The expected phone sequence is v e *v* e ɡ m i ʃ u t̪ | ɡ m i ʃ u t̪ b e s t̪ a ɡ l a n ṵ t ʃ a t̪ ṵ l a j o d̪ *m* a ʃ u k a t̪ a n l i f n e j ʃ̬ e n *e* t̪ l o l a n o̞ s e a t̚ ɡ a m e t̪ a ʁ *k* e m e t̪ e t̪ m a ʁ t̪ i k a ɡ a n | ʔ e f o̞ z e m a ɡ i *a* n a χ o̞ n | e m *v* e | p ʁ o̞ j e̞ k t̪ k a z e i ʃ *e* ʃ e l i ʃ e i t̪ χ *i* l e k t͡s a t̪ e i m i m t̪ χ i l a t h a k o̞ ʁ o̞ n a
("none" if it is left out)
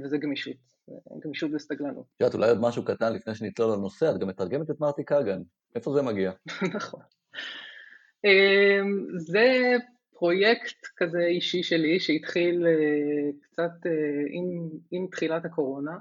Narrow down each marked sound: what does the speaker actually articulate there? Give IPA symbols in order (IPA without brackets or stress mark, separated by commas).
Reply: z, m, i, ɡ, a, z, i, i